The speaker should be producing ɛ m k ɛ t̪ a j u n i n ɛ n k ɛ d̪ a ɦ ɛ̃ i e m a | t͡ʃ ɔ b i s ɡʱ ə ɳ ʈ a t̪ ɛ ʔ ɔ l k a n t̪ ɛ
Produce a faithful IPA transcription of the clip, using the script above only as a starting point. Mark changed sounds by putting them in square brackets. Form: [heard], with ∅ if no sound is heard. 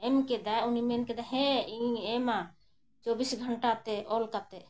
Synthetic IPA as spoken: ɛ m k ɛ [d̪] a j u n i [m] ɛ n k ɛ d̪ a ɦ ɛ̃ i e m a | t͡ʃ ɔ b i s ɡʱ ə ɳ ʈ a t̪ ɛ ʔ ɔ l k a [∅] t̪ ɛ